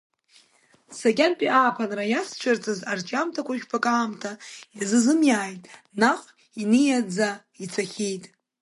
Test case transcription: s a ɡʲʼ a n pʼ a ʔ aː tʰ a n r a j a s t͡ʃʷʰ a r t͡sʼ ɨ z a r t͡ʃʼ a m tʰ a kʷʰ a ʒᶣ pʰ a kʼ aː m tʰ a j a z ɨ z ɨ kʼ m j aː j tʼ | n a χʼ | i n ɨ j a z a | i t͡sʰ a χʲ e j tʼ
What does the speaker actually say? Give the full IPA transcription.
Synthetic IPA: s a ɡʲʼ a n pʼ i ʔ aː pʰ a n r a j a s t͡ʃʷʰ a r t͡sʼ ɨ z a r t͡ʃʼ a m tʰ a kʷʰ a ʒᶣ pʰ a kʼ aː m tʰ a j a z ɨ z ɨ m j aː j tʼ | n a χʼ | i n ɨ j a d͡z a | i t͡sʰ a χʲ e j tʼ